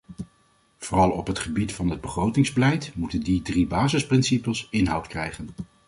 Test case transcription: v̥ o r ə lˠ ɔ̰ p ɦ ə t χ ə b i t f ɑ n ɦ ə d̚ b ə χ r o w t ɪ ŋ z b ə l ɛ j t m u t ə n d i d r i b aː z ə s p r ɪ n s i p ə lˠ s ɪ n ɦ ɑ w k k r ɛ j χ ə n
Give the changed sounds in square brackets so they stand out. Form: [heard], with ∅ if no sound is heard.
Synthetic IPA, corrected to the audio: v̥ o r [ɑ] lˠ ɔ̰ p ɦ ə t χ ə b i t f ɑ n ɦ ə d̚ b ə χ r o w t ɪ ŋ z b ə l ɛ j t m u t ə n d i d r i b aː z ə s p r ɪ n s i p ə lˠ s ɪ n ɦ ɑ w [t] k r ɛ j χ ə n

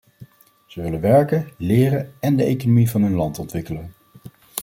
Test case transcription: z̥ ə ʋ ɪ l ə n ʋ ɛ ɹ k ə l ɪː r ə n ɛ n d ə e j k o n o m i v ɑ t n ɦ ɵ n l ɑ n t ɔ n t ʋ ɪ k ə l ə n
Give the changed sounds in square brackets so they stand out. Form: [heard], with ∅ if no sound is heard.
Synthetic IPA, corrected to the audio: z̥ ə ʋ ɪ l ə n ʋ ɛ ɹ k ə l ɪː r ə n ɛ n d ə e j k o n o m i v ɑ [∅] n ɦ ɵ n l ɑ n t ɔ n t ʋ ɪ k ə l ə n

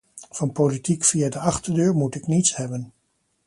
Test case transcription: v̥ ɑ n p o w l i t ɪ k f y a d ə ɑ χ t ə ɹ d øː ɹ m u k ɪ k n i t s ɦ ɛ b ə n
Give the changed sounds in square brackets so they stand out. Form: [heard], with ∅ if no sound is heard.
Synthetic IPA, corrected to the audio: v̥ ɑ n p o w l i t [i] k f [i] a d ə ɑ χ t ə ɹ d øː ɹ m u [t] ɪ k n i t s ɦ ɛ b ə n

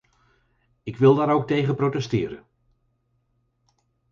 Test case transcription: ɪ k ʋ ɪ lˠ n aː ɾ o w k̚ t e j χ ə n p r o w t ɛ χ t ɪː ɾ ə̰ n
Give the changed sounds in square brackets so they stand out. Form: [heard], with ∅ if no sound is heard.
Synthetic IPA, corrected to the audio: ɪ k ʋ ɪ lˠ [d] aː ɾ o w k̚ t e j χ ə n p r o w t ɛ [s] t ɪː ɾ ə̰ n

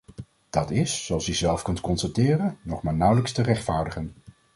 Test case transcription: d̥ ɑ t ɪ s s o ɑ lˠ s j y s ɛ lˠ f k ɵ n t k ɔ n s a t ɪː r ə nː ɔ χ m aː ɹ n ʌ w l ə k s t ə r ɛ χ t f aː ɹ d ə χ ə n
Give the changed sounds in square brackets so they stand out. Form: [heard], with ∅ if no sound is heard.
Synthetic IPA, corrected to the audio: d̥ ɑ t ɪ s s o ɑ lˠ s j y [z] ɛ lˠ f k ɵ n t k ɔ n s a t ɪː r ə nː ɔ χ m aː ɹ n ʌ w l ə k s t ə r ɛ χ t f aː ɹ d ə χ ə n

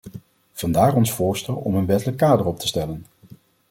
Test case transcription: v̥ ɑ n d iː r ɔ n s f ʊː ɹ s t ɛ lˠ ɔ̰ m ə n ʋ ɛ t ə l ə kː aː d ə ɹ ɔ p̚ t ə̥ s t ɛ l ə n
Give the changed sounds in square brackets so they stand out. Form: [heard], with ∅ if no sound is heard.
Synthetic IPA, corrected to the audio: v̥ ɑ n d [aː] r ɔ n s f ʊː ɹ s t ɛ lˠ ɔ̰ m ə n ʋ ɛ t ə l ə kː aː d ə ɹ ɔ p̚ t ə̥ s t ɛ l ə n

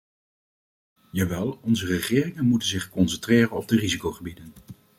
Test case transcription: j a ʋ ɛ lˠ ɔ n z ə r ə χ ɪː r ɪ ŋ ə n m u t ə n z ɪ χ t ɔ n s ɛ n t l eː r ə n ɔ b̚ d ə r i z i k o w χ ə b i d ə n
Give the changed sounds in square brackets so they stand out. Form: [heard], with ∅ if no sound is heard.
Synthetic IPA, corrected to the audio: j a ʋ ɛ lˠ ɔ n z ə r ə χ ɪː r ɪ ŋ ə n m u t ə n z ɪ χ [k] ɔ n s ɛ n t [r] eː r ə n ɔ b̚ d ə r i z i k o w χ ə b i d ə n

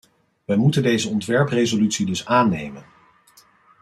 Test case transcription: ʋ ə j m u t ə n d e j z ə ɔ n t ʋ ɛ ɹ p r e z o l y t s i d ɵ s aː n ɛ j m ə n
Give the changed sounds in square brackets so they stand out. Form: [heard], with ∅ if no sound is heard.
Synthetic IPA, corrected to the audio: ʋ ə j m u t ə n d e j z ə ɔ n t ʋ ɛ ɹ p r e z o l y t s i d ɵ s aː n [e] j m ə n

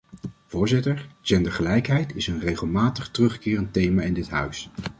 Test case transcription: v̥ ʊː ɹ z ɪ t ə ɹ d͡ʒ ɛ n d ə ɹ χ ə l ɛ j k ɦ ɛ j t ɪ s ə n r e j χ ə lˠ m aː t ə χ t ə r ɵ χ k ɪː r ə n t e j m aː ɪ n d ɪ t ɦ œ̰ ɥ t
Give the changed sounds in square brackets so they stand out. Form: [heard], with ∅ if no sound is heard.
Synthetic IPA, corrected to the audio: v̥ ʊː ɹ z ɪ t ə ɹ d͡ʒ ɛ n d ə ɹ χ ə l ɛ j k ɦ ɛ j t ɪ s ə n r e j χ ə lˠ m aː t ə χ t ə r ɵ χ k ɪː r ə n t e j m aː ɪ n d ɪ t ɦ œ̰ ɥ [s]

